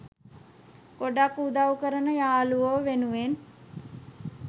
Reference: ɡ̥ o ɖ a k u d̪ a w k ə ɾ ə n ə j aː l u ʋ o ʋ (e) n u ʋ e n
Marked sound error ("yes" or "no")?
no